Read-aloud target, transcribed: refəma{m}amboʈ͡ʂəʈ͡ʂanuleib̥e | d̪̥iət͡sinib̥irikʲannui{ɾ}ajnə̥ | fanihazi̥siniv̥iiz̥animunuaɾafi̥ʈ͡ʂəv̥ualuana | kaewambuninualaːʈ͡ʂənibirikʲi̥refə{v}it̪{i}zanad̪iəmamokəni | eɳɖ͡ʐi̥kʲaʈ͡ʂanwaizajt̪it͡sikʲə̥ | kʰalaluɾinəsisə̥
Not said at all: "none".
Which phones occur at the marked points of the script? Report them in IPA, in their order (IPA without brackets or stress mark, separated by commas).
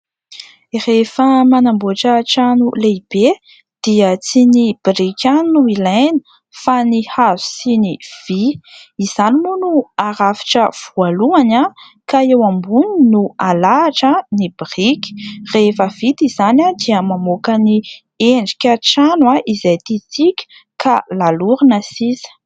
n, l, v, i